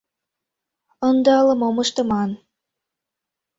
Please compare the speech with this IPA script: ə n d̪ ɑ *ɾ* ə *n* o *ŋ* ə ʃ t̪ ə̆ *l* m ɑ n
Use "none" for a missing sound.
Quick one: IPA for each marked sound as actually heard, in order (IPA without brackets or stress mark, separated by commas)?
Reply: l, m, m, none